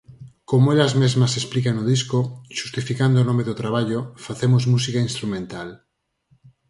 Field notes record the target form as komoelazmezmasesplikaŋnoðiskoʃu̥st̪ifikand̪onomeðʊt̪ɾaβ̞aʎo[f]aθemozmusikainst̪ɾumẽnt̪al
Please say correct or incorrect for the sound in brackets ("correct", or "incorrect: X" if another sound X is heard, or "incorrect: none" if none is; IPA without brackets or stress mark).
correct